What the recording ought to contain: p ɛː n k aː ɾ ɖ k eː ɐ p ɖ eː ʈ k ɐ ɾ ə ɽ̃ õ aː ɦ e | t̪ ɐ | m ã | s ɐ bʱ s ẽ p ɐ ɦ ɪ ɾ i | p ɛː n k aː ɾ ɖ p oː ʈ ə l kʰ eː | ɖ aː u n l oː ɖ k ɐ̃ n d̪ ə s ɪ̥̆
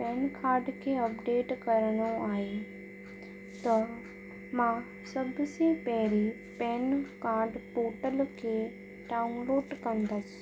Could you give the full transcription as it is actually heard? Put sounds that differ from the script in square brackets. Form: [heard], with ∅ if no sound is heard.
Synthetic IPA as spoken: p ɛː n k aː ɾ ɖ [kʰ] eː ɐ p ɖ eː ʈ k ɐ ɾ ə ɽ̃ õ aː ɦ e | t̪ ɐ | m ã | s ɐ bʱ s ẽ p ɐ ɦ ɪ ɾ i | p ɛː n k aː ɾ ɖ p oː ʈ ə l kʰ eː | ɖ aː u n l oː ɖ k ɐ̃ n d̪ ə s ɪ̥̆